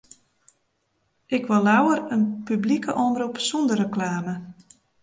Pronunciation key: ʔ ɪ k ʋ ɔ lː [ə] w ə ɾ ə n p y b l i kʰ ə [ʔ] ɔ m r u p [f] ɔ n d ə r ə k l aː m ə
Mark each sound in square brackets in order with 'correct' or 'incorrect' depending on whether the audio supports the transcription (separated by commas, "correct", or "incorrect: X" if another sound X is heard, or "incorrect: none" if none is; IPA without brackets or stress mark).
incorrect: a, correct, incorrect: s